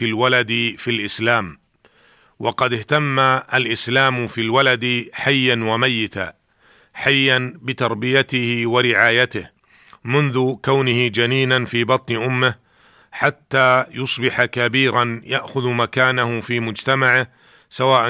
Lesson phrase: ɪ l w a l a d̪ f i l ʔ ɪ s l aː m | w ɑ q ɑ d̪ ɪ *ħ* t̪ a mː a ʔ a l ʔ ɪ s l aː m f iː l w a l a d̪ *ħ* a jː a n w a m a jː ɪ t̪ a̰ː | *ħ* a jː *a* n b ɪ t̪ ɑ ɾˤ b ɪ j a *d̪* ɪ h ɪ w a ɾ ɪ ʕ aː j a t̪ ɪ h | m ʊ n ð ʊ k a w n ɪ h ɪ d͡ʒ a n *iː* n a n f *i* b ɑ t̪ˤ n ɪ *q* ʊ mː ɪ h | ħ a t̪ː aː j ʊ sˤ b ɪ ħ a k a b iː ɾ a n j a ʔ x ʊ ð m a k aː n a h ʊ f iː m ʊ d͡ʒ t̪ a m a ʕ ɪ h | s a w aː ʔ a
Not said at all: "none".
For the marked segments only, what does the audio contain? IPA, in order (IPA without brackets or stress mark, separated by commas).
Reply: h, ħ, ħ, a, t̪, iː, iː, ʔ